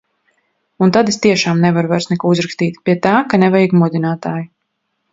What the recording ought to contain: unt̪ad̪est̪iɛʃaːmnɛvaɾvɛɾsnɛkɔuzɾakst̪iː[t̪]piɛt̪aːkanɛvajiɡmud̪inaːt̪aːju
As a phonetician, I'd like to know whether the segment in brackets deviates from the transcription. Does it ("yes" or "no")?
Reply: no